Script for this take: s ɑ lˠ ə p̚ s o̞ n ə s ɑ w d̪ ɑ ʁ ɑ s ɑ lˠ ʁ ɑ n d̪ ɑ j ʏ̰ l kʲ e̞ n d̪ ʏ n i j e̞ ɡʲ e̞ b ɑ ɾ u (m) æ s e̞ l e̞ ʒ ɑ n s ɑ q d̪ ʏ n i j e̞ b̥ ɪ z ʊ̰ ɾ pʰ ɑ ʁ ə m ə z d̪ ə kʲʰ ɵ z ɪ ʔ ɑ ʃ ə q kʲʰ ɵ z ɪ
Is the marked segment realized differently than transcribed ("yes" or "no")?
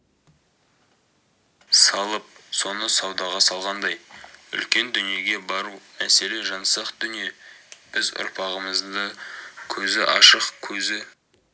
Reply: no